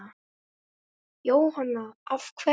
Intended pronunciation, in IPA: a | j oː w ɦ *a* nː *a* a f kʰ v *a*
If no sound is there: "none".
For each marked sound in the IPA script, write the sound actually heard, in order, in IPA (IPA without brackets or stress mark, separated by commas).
a, a, ɛ